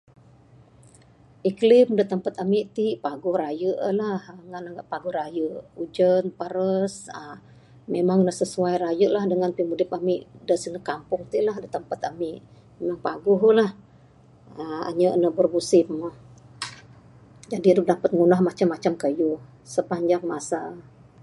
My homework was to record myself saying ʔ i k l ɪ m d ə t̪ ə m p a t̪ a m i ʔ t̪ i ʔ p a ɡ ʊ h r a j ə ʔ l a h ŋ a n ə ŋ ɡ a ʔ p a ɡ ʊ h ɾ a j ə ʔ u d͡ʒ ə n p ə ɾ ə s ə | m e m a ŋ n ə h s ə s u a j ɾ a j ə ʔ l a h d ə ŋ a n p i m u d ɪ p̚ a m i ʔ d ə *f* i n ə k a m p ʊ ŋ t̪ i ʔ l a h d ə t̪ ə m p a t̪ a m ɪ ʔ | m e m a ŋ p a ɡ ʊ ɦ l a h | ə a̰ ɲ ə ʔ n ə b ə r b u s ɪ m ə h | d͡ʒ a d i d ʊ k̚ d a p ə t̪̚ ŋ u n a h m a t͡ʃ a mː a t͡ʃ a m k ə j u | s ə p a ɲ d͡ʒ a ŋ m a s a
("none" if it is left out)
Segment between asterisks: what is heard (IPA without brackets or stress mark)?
s